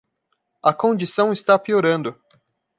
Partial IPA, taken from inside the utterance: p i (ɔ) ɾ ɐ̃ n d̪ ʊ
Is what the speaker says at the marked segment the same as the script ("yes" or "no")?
no